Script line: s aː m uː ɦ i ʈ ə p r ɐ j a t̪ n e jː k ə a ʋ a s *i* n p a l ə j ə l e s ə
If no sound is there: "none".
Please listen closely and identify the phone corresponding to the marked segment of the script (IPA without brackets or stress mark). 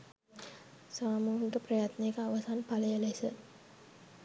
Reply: a